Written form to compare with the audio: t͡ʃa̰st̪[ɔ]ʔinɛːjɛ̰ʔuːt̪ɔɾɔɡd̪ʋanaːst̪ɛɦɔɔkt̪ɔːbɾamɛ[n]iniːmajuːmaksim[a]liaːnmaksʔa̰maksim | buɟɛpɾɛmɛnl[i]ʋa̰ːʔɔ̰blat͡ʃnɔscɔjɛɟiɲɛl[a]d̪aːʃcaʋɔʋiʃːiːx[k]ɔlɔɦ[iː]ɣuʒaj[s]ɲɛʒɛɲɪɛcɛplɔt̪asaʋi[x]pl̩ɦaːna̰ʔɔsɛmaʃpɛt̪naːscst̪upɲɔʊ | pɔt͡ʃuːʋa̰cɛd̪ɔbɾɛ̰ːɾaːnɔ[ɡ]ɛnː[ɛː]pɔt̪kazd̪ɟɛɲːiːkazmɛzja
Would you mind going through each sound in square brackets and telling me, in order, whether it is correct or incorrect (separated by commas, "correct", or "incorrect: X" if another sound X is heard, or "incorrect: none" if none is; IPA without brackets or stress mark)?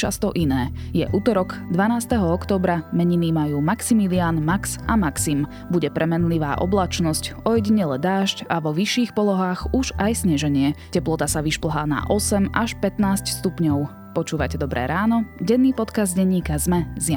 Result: correct, incorrect: ɲ, incorrect: i, correct, incorrect: ɛ, incorrect: p, incorrect: aː, correct, incorrect: ʃ, incorrect: ɟ, incorrect: iː